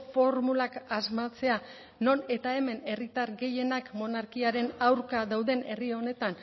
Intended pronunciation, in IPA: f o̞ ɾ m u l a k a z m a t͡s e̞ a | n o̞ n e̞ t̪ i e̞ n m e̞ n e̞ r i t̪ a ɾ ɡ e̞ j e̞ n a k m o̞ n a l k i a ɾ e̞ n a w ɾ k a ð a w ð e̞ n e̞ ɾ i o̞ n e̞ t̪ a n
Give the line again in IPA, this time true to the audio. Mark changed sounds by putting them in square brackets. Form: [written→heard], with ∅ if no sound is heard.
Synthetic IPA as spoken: f o̞ ɾ m u l a k a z m a t͡s e̞ a | n o̞ n e̞ t̪ [i→a] e̞ [n→∅] m e̞ n e̞ r i t̪ a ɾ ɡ e̞ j e̞ n a k m o̞ n a [l→ɾ] k i a ɾ e̞ n a w ɾ k a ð a w ð e̞ n e̞ [ɾ→r] i o̞ n e̞ t̪ a n